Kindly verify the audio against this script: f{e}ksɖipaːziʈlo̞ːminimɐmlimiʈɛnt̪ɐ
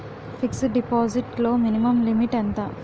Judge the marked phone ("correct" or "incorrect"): incorrect